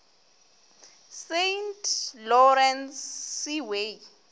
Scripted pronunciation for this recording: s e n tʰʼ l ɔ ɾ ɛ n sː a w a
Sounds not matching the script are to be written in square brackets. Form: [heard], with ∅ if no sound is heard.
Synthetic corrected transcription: s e n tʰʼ l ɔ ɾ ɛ n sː [i] w [e]